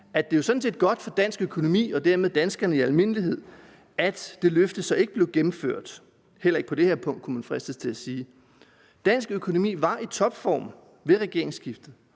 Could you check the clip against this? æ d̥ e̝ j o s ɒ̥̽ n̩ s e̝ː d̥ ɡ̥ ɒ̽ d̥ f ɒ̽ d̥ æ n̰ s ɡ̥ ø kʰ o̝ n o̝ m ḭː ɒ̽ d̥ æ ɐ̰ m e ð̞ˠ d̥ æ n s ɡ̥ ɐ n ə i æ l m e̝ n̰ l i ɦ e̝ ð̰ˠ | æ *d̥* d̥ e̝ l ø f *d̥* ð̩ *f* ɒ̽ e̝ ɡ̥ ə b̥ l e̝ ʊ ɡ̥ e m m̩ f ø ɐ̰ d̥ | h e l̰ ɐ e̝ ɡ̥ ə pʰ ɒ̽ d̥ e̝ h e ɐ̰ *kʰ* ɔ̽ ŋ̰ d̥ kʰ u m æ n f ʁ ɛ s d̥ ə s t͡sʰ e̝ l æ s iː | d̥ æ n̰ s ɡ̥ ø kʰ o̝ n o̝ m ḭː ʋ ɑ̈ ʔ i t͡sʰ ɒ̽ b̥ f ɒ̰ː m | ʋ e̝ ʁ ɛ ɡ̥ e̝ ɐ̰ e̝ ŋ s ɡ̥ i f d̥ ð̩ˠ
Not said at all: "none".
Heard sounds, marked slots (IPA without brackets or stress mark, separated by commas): d̥, d̥, s, pʰ